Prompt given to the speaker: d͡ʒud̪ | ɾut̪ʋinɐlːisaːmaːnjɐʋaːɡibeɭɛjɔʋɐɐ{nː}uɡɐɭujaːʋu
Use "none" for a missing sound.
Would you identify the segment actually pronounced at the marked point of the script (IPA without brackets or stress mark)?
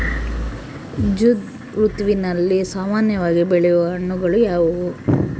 ɳː